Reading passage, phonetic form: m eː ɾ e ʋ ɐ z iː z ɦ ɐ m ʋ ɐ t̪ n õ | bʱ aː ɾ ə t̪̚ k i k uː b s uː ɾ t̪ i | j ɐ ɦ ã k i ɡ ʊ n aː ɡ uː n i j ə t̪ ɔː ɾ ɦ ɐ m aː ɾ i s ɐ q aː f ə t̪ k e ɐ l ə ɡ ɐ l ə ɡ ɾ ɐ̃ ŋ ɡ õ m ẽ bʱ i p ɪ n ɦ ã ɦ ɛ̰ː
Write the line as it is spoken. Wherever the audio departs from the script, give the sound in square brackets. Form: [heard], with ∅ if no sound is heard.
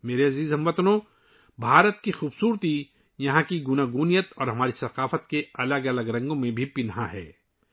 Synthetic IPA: m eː ɾ e [∅] ɐ z iː z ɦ ɐ m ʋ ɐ t̪ n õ | bʱ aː ɾ ə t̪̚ k i [x] uː b s uː ɾ t̪ i | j ɐ ɦ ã k i ɡ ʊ n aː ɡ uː n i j ə t̪ ɔː ɾ ɦ ɐ m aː ɾ i s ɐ q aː f ə t̪ k e ɐ l ə ɡ ɐ l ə ɡ ɾ ɐ̃ ŋ ɡ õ m ẽ bʱ i p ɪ n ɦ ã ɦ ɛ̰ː